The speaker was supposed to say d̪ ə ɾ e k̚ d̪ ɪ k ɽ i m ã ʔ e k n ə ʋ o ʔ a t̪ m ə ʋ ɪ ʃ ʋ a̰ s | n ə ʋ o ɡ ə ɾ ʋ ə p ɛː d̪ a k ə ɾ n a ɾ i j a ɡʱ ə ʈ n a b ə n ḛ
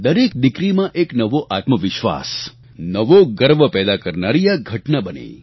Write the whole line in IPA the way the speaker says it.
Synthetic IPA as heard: d̪ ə ɾ e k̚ d̪ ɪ k ɾ i m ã ʔ e k n ə ʋ o ʔ a t̪ m ə ʋ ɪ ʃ ʋ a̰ s | n ə ʋ o ɡ ə ɾ ʋ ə p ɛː d̪ a k ə ɾ n a ɾ i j a ɡʱ ə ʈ n a b ə n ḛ